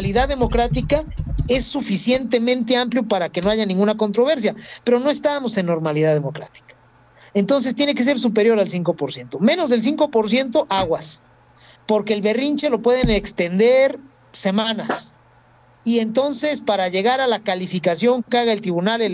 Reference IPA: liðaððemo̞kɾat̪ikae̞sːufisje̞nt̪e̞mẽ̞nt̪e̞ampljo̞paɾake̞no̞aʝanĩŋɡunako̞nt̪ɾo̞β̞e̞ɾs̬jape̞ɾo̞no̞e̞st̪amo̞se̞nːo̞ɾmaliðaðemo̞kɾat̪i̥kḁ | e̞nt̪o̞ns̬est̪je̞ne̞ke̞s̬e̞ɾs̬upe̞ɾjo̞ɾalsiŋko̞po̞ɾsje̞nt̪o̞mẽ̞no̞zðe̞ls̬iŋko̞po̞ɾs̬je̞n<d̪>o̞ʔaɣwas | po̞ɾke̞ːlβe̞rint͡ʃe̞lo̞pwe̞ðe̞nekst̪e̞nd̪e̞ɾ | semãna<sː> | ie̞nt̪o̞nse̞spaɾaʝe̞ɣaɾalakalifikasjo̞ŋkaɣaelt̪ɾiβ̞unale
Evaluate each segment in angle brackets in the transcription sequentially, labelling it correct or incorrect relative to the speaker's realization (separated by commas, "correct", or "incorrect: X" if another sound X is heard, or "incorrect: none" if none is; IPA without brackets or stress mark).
incorrect: t̪, incorrect: s